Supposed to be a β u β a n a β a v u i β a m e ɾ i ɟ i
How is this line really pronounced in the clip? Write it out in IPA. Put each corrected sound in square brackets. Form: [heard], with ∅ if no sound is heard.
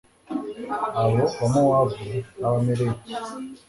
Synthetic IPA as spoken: a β [o] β a [m] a [w] a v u [a] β a m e ɾ [e] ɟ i